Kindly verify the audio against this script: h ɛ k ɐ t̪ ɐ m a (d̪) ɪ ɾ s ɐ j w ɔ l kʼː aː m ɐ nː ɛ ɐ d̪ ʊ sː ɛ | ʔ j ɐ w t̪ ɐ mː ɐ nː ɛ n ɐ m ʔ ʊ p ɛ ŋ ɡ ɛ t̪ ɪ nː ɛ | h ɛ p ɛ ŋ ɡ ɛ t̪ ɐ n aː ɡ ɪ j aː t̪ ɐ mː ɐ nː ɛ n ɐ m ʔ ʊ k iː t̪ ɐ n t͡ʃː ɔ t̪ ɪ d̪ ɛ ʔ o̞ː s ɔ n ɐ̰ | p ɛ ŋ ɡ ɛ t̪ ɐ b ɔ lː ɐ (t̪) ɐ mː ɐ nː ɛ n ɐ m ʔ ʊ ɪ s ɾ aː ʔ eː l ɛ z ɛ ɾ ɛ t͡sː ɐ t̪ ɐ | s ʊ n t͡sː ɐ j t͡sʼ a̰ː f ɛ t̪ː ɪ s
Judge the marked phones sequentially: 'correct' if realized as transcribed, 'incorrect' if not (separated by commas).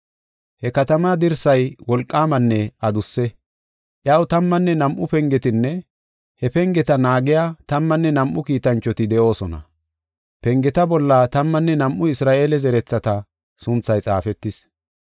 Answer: correct, correct